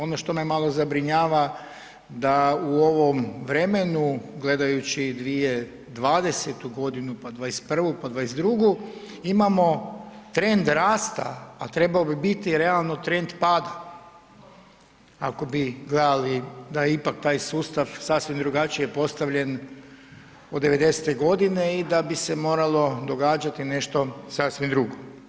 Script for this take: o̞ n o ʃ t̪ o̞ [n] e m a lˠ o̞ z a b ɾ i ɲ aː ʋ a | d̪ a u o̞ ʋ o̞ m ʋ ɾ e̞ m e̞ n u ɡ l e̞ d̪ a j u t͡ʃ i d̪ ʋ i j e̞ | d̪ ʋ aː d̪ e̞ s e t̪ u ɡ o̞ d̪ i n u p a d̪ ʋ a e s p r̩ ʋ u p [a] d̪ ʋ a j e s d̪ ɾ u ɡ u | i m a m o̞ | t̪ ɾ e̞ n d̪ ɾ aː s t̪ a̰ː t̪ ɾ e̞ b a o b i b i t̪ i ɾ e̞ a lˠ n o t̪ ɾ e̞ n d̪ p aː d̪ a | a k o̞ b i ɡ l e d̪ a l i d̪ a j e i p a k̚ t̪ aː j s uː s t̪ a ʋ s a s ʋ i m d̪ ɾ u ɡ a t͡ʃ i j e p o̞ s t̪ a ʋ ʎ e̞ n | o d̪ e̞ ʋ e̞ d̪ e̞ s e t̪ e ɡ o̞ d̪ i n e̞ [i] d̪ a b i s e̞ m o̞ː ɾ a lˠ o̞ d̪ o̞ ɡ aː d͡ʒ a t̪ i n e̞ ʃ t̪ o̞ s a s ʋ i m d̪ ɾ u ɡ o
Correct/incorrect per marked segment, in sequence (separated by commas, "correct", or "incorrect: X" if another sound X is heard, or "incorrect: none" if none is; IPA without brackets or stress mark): incorrect: m, correct, correct